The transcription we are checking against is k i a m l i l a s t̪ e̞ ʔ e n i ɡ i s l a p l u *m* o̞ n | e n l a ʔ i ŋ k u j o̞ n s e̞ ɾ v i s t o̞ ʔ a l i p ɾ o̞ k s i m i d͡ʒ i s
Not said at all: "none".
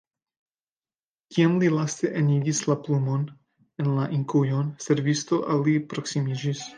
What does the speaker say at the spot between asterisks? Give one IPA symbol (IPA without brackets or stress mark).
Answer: m